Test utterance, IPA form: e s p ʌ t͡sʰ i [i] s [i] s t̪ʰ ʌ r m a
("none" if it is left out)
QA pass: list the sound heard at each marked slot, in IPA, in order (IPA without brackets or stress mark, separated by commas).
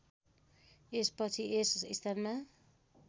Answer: e, i